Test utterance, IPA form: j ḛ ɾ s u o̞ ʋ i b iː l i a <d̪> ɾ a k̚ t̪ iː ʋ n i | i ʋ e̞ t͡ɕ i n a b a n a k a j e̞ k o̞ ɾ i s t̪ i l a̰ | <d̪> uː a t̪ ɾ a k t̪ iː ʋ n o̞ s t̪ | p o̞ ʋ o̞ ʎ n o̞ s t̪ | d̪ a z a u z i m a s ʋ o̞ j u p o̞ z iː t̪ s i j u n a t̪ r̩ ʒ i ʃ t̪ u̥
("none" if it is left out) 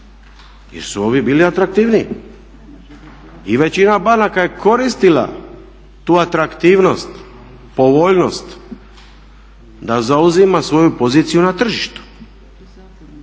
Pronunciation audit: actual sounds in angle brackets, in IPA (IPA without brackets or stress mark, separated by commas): t̪, t̪